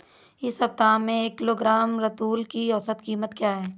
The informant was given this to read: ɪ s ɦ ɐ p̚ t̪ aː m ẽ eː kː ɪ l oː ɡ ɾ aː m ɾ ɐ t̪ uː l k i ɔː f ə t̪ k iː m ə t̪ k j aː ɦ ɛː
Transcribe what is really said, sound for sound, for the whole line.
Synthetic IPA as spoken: ɪ s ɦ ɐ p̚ t̪ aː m ẽ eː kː ɪ l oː ɡ ɾ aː m ɾ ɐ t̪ uː l k i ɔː s ə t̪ k iː m ə t̪ k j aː ɦ ɛː